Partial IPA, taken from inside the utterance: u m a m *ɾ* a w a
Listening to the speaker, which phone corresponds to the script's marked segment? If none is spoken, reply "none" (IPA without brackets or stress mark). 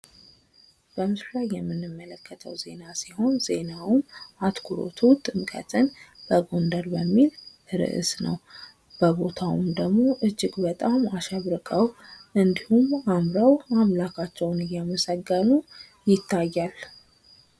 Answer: ɾ